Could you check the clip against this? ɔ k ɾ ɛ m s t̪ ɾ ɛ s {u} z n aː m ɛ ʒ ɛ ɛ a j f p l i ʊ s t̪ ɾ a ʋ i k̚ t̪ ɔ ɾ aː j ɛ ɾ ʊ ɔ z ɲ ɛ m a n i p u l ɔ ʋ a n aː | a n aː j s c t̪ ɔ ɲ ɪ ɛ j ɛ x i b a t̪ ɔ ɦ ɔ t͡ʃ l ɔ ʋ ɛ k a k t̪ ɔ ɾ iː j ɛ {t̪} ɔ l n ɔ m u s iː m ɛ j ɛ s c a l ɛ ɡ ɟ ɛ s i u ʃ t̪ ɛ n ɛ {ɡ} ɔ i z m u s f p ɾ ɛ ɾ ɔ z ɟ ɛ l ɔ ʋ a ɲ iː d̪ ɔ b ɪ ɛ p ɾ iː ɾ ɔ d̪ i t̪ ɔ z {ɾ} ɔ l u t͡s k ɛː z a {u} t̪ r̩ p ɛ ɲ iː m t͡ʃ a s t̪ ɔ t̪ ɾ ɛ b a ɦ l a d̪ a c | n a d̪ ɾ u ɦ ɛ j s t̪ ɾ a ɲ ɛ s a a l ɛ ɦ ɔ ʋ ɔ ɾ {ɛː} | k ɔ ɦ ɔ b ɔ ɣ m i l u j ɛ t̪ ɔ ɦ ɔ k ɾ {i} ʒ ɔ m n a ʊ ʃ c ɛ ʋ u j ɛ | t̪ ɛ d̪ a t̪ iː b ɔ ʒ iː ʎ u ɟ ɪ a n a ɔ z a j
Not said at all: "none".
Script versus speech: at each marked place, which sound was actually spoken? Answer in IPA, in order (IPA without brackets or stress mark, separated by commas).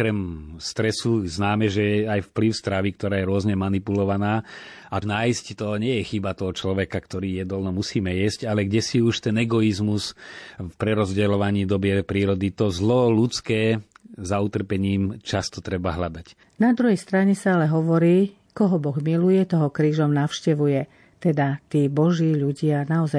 u, d̪, ɡ, l, u, iː, iː